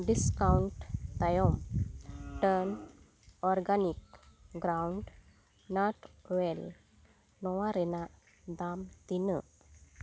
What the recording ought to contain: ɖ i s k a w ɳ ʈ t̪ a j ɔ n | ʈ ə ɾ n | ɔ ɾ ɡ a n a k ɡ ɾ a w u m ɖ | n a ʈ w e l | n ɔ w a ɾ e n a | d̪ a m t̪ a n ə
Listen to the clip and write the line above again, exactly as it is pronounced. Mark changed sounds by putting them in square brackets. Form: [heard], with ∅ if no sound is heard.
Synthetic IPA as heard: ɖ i s k a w ɳ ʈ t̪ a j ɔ [m] | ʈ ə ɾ n | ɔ ɾ ɡ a n [i] k ɡ ɾ a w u [ɳ] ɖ | n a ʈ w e l | n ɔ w a ɾ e n a | d̪ a m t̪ [i] n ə